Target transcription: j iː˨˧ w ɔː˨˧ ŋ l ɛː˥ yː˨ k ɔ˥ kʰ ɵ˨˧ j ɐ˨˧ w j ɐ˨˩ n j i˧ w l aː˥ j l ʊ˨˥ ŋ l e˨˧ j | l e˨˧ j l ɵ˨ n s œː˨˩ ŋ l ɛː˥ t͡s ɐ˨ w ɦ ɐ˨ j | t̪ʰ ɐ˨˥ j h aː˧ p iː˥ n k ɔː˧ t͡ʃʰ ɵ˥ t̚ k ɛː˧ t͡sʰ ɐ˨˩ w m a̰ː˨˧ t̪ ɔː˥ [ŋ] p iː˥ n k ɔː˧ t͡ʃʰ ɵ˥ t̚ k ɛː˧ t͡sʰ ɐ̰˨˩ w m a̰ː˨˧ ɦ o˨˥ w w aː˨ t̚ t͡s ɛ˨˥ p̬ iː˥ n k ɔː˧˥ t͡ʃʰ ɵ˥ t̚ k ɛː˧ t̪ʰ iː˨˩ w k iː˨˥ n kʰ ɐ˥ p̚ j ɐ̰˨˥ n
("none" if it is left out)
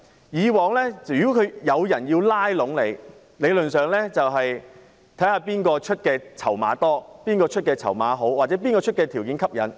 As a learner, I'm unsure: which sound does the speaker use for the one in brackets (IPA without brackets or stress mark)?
none